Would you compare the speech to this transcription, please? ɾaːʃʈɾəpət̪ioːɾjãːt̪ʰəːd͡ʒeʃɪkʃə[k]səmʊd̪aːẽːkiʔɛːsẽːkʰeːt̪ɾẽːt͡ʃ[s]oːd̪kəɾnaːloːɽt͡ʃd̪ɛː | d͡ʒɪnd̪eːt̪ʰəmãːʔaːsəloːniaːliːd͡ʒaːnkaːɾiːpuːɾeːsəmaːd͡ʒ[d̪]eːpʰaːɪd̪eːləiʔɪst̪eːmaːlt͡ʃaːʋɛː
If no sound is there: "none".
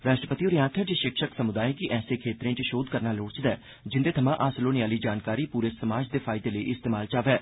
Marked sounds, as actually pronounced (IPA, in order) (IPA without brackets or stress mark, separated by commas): k, ʃ, d̪